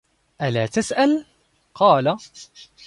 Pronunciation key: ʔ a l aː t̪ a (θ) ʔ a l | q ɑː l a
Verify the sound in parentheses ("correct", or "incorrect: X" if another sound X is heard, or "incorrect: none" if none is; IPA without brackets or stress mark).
incorrect: s